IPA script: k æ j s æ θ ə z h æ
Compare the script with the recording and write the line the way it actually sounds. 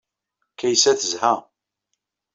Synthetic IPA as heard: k æ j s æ θ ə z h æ